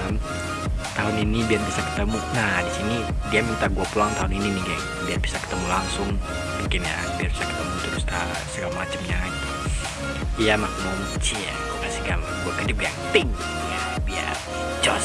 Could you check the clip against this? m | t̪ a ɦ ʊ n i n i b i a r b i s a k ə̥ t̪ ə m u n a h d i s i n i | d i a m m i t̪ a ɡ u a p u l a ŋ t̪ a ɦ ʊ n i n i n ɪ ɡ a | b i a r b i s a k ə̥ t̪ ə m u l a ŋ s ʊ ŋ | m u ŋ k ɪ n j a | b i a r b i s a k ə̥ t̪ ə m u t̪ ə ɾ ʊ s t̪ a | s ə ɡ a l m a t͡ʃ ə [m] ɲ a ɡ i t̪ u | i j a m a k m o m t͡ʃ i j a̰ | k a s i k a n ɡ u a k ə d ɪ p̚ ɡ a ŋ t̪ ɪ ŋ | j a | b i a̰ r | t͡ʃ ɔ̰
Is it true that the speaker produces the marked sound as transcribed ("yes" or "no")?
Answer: yes